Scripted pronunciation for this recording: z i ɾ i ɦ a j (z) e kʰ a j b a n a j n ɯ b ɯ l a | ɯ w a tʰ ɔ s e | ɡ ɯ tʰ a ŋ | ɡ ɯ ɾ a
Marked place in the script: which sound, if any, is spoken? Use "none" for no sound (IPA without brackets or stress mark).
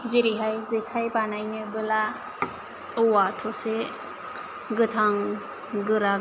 z